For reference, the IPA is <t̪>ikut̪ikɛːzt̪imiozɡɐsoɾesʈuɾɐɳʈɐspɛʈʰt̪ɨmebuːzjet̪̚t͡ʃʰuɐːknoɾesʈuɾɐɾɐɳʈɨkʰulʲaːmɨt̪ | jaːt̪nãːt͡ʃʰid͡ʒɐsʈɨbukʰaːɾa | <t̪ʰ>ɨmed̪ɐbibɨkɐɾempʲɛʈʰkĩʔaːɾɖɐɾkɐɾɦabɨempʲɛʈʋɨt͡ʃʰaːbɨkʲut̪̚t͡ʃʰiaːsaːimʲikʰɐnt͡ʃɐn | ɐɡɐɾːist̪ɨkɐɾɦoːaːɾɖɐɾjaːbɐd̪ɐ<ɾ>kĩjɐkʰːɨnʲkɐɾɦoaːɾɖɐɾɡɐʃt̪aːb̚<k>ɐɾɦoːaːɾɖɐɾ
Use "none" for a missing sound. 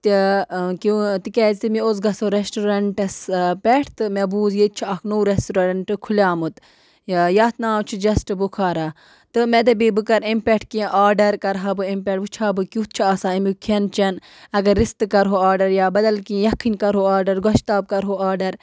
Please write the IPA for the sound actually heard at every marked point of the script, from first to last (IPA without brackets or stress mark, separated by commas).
t̪, t̪, l, k